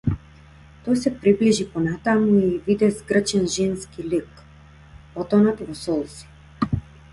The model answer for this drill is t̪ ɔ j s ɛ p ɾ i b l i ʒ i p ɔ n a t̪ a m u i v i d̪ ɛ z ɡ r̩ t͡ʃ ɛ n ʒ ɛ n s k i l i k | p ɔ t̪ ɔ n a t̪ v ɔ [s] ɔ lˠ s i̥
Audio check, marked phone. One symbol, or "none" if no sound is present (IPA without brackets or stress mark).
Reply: s